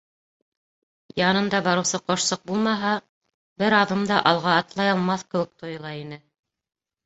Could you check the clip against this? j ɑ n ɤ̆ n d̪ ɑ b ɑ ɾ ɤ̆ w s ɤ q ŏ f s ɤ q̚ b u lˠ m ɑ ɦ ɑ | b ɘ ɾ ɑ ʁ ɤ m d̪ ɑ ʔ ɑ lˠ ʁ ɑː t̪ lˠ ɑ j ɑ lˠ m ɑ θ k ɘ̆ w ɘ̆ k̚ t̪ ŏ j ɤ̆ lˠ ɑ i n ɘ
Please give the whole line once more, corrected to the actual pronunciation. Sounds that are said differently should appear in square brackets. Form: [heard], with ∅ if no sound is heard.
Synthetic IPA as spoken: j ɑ n ɤ̆ n d̪ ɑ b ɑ ɾ ɤ̆ w s ɤ q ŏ [ʃ] s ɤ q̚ b u lˠ m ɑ ɦ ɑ | b ɘ ɾ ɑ [ð] ɤ m d̪ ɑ ʔ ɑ lˠ ʁ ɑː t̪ lˠ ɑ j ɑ lˠ m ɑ θ k ɘ̆ w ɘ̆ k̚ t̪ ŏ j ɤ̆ lˠ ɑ i n ɘ